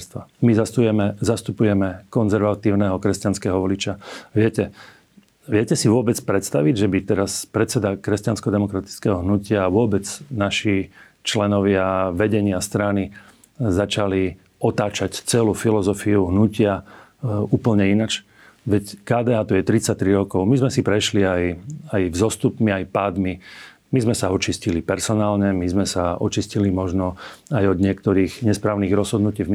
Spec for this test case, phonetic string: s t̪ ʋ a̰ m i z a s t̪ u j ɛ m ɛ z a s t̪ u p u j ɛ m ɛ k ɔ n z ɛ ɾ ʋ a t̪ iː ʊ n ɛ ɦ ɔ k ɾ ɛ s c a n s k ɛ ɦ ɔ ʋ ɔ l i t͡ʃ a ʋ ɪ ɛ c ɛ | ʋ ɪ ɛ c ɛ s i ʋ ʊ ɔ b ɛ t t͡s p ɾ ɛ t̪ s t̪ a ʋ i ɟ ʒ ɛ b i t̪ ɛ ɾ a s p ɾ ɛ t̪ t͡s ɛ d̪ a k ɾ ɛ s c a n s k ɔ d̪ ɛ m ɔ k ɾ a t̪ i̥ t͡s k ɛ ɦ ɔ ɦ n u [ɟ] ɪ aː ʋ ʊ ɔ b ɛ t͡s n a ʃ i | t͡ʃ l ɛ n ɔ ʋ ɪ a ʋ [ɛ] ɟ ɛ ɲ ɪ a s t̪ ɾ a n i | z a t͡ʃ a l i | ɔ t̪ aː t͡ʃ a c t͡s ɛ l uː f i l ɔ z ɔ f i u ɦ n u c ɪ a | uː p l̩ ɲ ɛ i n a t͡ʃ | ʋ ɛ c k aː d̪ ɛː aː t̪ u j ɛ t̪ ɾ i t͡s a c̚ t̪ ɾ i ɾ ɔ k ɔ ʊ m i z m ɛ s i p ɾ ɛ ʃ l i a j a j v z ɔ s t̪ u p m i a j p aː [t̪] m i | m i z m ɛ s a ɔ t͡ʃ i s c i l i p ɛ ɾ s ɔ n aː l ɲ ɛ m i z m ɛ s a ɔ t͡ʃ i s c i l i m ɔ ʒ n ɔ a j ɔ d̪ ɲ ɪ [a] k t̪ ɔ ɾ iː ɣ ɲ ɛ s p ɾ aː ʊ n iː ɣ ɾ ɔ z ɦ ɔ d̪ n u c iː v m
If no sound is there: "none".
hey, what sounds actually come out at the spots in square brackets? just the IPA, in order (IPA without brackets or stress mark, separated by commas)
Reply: c, ɛ, d̪, ɛ